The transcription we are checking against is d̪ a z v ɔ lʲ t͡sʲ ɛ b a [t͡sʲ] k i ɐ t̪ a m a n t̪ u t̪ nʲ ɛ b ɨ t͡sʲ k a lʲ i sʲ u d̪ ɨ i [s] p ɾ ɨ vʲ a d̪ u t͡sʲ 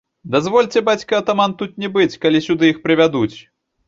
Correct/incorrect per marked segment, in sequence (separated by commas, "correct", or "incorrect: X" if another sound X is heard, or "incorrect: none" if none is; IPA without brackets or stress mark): correct, incorrect: x